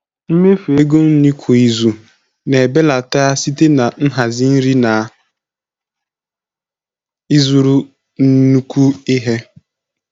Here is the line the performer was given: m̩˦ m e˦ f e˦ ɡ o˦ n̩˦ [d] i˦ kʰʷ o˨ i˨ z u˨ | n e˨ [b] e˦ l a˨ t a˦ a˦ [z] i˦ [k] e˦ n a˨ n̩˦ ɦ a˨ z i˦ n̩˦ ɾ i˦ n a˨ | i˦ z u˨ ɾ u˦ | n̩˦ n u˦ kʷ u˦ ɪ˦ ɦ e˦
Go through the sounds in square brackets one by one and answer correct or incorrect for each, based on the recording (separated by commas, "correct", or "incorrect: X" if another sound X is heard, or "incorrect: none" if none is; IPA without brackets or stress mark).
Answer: incorrect: n, correct, incorrect: s, incorrect: t